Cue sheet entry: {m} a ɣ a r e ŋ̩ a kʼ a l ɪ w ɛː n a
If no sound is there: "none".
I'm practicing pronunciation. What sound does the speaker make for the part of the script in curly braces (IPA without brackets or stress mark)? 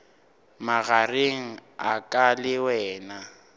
m